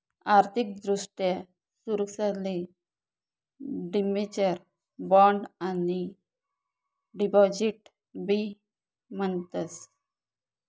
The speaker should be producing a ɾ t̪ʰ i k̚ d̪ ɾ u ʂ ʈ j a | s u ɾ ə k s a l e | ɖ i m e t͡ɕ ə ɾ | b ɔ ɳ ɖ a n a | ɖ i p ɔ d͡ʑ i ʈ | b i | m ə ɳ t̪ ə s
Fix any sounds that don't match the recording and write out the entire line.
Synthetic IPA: a ɾ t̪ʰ i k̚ d̪ ɾ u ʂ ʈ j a | s u ɾ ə k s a l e | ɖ i m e t͡ɕ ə ɾ | b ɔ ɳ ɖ a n i | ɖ i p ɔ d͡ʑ i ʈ | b i | m ə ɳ t̪ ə s